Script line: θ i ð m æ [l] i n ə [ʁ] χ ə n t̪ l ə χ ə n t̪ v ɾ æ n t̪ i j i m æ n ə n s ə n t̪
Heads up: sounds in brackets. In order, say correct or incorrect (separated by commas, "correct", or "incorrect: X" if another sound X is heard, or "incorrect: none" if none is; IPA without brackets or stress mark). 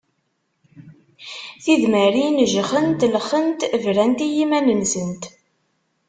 incorrect: ɾ, incorrect: ʒ